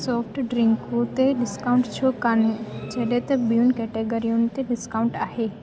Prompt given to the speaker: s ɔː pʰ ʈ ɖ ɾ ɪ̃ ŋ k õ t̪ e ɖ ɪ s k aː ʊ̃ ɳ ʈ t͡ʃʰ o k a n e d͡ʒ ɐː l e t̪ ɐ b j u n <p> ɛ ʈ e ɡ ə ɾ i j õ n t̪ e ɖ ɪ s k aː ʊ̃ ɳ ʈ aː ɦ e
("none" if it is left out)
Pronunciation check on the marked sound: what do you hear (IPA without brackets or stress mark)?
k